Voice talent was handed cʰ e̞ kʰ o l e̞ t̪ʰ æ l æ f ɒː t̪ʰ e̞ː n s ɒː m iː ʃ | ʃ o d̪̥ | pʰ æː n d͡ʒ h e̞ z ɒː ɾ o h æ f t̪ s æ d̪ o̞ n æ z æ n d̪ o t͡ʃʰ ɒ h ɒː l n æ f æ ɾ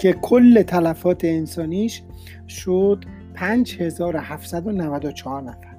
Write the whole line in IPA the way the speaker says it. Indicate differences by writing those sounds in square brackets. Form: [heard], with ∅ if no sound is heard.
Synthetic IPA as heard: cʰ e̞ kʰ o [lː] e̞ t̪ʰ æ l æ f ɒː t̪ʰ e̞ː n s ɒː [n] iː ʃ | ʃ o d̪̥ | pʰ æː n d͡ʒ h e̞ z ɒː ɾ o h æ f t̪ s æ d̪ o̞ n æ [v] æ [∅] d̪ o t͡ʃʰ ɒ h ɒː [ɾ] n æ f æ ɾ